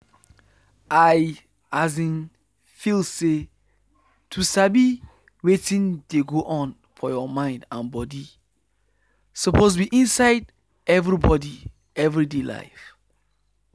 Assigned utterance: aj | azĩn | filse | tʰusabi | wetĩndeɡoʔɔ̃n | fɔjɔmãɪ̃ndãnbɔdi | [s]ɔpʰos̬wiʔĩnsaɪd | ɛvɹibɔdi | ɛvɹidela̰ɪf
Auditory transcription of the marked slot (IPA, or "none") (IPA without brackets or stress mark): s